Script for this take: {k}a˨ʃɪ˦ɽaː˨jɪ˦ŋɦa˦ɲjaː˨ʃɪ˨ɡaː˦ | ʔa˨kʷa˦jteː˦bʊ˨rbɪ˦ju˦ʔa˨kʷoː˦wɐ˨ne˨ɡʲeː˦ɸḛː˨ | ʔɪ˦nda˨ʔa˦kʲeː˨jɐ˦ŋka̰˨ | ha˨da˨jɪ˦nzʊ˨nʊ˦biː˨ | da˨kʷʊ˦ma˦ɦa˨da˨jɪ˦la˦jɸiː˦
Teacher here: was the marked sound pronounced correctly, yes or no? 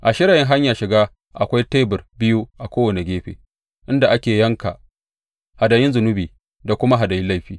no